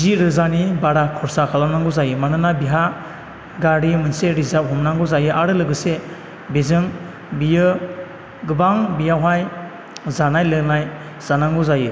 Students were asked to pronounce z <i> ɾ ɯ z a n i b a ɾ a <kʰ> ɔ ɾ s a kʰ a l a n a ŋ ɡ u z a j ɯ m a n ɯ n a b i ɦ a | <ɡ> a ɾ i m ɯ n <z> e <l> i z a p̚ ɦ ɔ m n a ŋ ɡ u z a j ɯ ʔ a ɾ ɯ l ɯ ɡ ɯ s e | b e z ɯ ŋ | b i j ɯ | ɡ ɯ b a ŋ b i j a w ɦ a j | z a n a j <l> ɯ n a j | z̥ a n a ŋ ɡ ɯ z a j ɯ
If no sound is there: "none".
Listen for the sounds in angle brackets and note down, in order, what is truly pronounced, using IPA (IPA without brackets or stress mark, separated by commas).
i, kʰ, ɡ, s, ɾ, l